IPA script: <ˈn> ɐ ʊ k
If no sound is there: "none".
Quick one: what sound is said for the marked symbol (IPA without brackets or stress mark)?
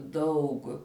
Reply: d